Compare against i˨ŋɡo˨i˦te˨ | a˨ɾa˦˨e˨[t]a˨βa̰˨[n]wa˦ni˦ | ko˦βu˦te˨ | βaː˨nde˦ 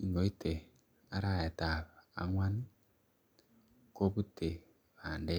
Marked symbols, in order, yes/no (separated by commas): yes, no